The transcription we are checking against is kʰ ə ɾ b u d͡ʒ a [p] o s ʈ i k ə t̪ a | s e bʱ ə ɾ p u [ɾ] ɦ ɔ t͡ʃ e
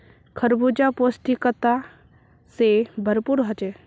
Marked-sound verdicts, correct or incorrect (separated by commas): correct, correct